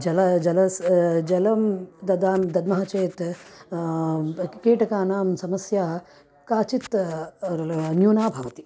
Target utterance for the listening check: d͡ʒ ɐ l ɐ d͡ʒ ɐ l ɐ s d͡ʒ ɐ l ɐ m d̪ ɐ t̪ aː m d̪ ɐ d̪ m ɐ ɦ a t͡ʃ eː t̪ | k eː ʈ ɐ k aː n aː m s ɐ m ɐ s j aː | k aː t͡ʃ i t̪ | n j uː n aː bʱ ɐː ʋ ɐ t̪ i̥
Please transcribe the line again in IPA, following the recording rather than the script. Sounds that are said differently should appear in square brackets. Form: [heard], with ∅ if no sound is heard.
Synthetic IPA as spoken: d͡ʒ ɐ l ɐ d͡ʒ ɐ l ɐ s d͡ʒ ɐ l ɐ m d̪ ɐ [d̪] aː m d̪ ɐ d̪ m ɐ ɦ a t͡ʃ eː t̪ | k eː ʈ ɐ k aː n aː m s ɐ m ɐ s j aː | k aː t͡ʃ i t̪ | n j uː n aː bʱ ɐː ʋ ɐ t̪ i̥

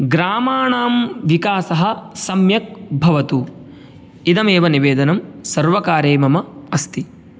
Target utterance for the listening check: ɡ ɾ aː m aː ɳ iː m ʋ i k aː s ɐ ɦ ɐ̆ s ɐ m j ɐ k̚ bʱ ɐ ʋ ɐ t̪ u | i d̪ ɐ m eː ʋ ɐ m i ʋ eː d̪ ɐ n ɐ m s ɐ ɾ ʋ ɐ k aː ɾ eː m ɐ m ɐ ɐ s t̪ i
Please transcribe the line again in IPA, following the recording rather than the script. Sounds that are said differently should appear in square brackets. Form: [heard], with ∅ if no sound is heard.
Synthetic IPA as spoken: ɡ ɾ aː m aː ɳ [aː] m ʋ i k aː s ɐ ɦ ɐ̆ s ɐ m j ɐ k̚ bʱ ɐ ʋ ɐ t̪ u | i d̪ ɐ m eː ʋ ɐ [n] i ʋ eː d̪ ɐ n ɐ m s ɐ ɾ ʋ ɐ k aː ɾ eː m ɐ m ɐ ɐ s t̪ i

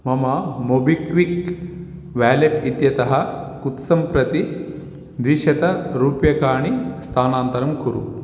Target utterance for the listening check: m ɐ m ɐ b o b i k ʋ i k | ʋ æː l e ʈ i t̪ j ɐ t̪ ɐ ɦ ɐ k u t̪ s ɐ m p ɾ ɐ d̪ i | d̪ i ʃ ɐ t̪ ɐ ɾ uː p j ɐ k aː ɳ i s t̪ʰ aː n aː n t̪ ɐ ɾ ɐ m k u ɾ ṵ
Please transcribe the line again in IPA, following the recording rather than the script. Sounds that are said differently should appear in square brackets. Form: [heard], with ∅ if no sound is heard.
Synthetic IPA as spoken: m ɐ m ɐ [m] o b i k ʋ i k | ʋ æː l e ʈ i t̪ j ɐ t̪ ɐ ɦ ɐ k u t̪ s ɐ m p ɾ ɐ [t̪] i | d̪ i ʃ ɐ t̪ ɐ ɾ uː p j ɐ k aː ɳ i s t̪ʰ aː n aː n t̪ ɐ ɾ ɐ m k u ɾ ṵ

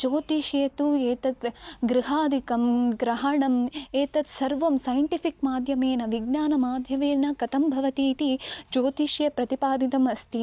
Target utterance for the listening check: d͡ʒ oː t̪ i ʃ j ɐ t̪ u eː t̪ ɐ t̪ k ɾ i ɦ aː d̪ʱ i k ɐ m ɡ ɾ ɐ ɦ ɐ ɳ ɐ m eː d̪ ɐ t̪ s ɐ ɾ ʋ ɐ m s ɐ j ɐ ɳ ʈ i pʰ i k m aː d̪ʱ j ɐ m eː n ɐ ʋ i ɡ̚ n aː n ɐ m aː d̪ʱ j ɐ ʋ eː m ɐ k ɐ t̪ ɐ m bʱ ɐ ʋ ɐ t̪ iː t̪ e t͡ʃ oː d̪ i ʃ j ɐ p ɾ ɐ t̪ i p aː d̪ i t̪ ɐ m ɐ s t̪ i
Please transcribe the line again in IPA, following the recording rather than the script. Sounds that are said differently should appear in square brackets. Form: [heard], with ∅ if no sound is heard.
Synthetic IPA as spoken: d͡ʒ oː t̪ i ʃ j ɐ t̪ u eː t̪ ɐ t̪ [ɡ] ɾ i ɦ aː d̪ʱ i k ɐ m ɡ ɾ ɐ ɦ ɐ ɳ ɐ m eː [t̪] ɐ t̪ s ɐ ɾ ʋ ɐ m s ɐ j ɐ ɳ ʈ i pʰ i k m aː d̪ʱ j ɐ m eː n ɐ ʋ i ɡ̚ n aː n ɐ m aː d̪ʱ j ɐ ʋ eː [n] ɐ k ɐ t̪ ɐ m bʱ ɐ ʋ ɐ t̪ iː t̪ [i] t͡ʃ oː [t̪] i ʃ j ɐ p ɾ ɐ t̪ i p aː d̪ i t̪ ɐ m ɐ s t̪ i

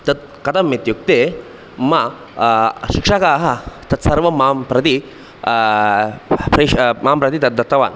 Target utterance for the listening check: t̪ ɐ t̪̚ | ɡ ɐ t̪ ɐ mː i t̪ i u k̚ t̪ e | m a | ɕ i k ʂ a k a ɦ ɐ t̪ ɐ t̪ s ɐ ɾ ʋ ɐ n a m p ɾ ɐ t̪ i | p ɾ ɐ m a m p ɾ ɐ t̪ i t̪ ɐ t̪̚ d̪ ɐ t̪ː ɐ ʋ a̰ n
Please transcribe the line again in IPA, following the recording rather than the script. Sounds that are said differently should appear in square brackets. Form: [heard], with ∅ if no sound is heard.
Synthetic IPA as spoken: t̪ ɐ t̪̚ | [k] ɐ t̪ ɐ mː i t̪ [j] u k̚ t̪ e | m a | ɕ i k ʂ a k a ɦ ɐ t̪ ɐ t̪ s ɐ ɾ ʋ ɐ [m] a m p ɾ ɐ t̪ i | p ɾ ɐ m a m p ɾ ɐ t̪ i t̪ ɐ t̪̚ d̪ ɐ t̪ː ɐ ʋ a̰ n

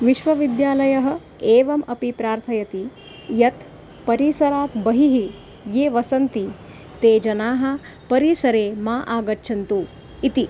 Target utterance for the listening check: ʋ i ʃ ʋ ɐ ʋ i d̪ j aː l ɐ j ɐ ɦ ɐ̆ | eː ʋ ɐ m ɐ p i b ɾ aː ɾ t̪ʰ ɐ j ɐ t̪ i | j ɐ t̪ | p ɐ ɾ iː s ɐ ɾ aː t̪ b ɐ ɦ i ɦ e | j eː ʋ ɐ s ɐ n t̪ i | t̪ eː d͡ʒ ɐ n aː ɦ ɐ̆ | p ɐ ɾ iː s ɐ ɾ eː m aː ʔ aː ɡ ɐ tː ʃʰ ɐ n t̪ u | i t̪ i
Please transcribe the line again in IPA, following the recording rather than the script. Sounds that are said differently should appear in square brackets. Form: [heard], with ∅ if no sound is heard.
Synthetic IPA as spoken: ʋ i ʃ ʋ ɐ ʋ i d̪ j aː l ɐ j ɐ ɦ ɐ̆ | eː ʋ ɐ m ɐ p i [p] ɾ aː ɾ t̪ʰ ɐ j ɐ t̪ i | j ɐ t̪ | p ɐ ɾ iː s ɐ ɾ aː t̪ b ɐ ɦ i ɦ [i] | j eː ʋ ɐ s ɐ n t̪ i | t̪ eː d͡ʒ ɐ n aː ɦ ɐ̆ | p ɐ ɾ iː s ɐ ɾ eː m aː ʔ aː ɡ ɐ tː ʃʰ ɐ n t̪ u | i t̪ i

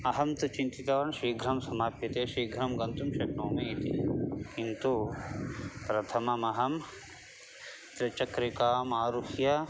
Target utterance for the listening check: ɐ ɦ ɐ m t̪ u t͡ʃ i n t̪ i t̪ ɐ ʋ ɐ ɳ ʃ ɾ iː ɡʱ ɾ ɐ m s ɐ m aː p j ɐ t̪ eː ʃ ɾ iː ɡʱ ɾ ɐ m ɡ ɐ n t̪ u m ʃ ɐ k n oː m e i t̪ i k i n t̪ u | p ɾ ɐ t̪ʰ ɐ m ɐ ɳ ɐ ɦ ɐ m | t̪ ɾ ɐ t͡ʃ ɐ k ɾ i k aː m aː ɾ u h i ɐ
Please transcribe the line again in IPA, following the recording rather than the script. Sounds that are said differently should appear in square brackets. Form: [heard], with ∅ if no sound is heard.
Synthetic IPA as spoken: ɐ ɦ ɐ m t̪ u t͡ʃ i n t̪ i t̪ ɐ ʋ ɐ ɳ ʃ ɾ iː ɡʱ ɾ ɐ m s ɐ m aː p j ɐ t̪ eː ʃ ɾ iː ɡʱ ɾ ɐ m ɡ ɐ n t̪ u m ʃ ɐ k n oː m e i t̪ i k i n t̪ u | p ɾ ɐ t̪ʰ ɐ m ɐ [m] ɐ ɦ ɐ m | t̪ ɾ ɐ t͡ʃ ɐ k ɾ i k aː m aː ɾ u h [j] ɐ

